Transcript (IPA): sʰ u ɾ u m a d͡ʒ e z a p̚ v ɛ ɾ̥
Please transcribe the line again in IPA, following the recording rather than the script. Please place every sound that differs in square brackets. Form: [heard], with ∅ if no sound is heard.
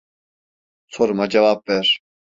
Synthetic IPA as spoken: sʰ [o] ɾ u m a d͡ʒ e [v] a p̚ v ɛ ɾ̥